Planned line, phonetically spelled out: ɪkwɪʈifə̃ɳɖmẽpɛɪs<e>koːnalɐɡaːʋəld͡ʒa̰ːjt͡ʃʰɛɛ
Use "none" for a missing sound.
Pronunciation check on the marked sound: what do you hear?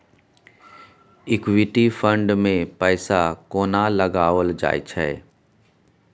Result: a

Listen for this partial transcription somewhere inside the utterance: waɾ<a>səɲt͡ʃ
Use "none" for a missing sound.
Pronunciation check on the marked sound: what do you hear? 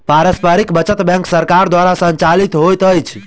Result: a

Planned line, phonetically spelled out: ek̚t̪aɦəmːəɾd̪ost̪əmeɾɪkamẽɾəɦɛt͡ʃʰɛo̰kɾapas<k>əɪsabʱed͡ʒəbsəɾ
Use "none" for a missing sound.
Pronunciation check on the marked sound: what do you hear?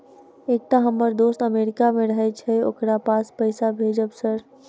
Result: p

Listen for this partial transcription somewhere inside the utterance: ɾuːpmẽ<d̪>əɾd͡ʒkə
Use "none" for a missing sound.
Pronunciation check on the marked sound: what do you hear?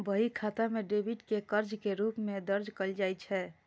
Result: d̪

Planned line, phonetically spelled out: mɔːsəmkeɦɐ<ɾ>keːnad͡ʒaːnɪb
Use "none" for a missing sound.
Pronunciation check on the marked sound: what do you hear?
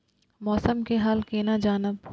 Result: l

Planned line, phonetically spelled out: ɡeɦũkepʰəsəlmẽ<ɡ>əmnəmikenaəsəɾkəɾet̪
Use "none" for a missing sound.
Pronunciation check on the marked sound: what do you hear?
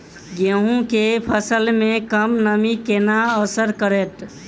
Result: k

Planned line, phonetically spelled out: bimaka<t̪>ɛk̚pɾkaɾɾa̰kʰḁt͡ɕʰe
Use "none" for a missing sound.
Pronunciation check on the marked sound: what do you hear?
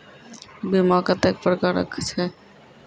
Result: t̪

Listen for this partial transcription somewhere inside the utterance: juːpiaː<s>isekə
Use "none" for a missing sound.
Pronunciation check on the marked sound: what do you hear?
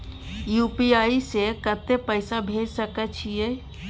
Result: none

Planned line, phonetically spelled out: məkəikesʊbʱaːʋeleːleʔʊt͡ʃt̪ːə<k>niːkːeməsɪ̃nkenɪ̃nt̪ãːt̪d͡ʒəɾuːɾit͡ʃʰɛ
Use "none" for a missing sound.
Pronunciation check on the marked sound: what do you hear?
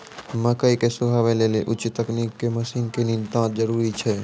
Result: k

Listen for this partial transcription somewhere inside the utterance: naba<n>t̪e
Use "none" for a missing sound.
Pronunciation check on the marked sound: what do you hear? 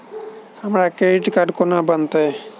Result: n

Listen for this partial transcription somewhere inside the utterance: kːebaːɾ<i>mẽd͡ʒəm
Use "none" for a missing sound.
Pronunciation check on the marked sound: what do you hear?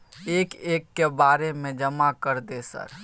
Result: e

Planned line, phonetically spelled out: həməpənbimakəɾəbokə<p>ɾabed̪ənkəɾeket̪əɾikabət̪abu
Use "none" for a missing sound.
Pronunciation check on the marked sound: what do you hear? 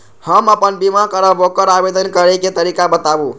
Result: none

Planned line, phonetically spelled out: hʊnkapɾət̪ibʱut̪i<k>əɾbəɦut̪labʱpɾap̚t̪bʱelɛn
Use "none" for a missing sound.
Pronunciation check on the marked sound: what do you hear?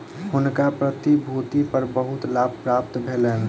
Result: p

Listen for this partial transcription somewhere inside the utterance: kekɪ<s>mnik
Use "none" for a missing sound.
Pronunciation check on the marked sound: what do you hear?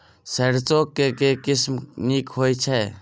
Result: s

